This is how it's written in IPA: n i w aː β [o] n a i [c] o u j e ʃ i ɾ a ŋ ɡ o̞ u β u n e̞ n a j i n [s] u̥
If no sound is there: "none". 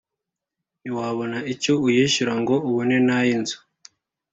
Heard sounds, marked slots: o, c, z

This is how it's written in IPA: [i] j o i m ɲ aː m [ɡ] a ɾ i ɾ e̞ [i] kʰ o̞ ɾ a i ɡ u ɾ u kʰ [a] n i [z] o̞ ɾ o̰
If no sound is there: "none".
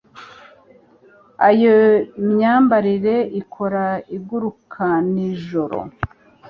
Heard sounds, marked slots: a, b, i, a, ʒ

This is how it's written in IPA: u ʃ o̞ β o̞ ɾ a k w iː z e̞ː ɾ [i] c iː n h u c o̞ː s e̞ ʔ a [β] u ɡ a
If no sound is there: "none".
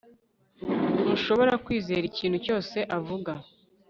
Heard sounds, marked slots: i, v

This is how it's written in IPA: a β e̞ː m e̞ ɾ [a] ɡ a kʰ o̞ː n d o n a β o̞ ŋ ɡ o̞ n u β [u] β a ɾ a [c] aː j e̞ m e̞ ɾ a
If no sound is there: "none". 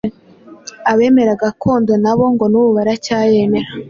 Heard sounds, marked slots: a, u, c

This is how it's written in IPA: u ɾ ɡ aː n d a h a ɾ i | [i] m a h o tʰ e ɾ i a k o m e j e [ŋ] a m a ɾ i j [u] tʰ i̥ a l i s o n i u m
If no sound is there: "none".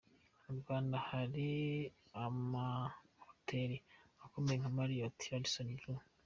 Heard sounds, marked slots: a, ŋ, o

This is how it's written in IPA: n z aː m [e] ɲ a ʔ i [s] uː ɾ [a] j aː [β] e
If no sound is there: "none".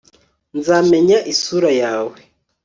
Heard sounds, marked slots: e, s, a, w

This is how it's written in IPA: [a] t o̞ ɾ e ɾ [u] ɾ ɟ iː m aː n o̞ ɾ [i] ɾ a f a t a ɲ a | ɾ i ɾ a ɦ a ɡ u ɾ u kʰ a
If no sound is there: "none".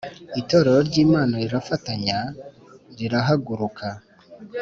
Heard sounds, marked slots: i, o, i

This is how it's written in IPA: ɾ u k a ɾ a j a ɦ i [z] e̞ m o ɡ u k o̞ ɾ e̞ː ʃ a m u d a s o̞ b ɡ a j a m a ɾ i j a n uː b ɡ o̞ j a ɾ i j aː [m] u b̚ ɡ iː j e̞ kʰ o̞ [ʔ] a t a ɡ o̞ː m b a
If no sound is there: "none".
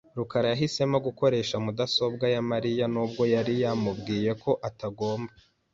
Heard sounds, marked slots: s, m, ʔ

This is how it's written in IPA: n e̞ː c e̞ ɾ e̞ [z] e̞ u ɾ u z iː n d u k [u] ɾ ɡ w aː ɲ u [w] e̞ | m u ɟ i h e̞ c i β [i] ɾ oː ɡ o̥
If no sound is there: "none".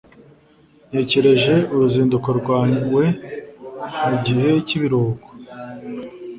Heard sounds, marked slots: ʒ, o, w, i

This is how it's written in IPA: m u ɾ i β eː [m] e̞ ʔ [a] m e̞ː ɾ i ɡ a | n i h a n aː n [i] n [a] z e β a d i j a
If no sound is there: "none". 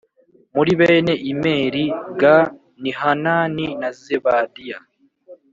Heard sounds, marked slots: n, i, i, a

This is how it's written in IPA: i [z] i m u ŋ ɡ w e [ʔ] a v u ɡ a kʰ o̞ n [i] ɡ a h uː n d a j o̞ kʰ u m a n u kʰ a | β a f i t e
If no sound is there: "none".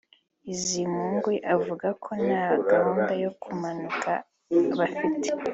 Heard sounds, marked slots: z, ʔ, a

